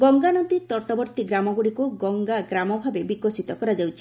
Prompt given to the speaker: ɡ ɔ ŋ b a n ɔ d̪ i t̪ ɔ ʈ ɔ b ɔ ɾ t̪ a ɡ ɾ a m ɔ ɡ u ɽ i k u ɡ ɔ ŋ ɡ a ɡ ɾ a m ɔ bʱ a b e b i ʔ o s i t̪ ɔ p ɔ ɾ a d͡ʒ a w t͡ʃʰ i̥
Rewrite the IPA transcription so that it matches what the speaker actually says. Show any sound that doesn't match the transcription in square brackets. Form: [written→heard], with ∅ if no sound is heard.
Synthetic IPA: ɡ ɔ ŋ [b→ɡ] a n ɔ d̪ i t̪ ɔ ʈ ɔ b ɔ ɾ t̪ [a→i] ɡ ɾ a m ɔ ɡ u ɽ i k u ɡ ɔ ŋ ɡ a ɡ ɾ a m ɔ bʱ a b e b i [ʔ→k] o s i t̪ ɔ [p→k] ɔ ɾ a d͡ʒ a w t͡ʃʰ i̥

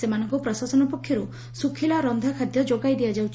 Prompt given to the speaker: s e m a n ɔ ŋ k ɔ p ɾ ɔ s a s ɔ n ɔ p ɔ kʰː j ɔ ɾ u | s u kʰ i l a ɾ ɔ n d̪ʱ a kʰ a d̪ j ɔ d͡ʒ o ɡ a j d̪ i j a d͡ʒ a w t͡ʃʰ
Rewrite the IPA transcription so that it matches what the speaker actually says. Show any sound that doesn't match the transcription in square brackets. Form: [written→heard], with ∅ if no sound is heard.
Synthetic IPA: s e m a n ɔ ŋ k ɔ p ɾ ɔ s a s ɔ n ɔ p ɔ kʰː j ɔ ɾ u | s u kʰ i l a ɾ ɔ n d̪ʱ a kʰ a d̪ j ɔ d͡ʒ o ɡ a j d̪ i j a d͡ʒ a w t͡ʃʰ

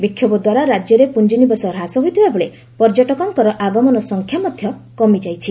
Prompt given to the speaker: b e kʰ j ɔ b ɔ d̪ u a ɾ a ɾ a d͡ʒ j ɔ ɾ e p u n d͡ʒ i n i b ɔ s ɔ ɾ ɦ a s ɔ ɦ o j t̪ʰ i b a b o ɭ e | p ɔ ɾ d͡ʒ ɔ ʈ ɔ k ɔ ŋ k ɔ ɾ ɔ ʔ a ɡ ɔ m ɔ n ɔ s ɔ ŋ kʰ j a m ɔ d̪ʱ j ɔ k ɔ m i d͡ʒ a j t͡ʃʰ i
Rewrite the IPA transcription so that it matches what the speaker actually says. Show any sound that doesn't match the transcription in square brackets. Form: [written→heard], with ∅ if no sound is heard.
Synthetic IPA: b [e→i] kʰ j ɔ b ɔ d̪ [u→w] a ɾ a ɾ a d͡ʒ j ɔ ɾ e p u n d͡ʒ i n i b ɔ s ɔ ɾ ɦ a s ɔ ɦ o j t̪ʰ i b a b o ɭ e | p ɔ ɾ d͡ʒ ɔ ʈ ɔ k ɔ ŋ k ɔ ɾ ɔ ʔ a ɡ ɔ m ɔ n ɔ s ɔ ŋ kʰ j a m ɔ d̪ʱ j ɔ k ɔ m i d͡ʒ a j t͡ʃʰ i

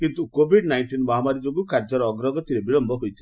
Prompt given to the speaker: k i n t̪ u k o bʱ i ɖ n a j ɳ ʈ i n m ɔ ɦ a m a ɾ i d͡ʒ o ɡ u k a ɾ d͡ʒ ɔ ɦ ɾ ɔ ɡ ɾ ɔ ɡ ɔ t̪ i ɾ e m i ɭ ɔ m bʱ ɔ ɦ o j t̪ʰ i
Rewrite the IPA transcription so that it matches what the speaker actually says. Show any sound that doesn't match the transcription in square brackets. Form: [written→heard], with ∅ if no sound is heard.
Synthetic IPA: k i n t̪ u k o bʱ i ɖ n a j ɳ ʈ i n m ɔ ɦ a m a ɾ i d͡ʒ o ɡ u k a ɾ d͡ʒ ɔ [ɦ→∅] ɾ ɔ ɡ ɾ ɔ ɡ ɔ t̪ i ɾ e [m→b] i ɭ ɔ m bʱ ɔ ɦ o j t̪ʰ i

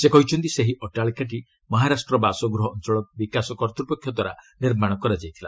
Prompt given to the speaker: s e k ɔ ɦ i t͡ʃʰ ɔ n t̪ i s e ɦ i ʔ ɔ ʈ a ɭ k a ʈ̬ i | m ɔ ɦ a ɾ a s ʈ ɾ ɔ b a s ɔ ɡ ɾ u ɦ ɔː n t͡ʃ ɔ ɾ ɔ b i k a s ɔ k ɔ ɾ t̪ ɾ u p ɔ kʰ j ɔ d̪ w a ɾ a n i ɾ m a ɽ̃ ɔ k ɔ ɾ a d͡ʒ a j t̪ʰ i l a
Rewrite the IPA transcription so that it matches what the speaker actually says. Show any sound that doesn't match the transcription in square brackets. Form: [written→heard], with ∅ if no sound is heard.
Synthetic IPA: s e k ɔ ɦ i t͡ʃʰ ɔ n t̪ i s e ɦ i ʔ ɔ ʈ a ɭ k a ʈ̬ i | m ɔ ɦ a ɾ a s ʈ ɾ ɔ b a s ɔ ɡ ɾ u ɦ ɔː n t͡ʃ ɔ [ɾ→ɭ] ɔ b i k a s ɔ k ɔ ɾ t̪ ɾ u p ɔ kʰ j ɔ d̪ w a ɾ a n i ɾ m a ɽ̃ ɔ k ɔ ɾ a d͡ʒ a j t̪ʰ i l a

